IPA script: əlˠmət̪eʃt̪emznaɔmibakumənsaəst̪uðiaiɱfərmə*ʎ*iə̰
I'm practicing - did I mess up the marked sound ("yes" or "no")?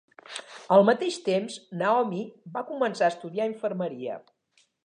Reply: yes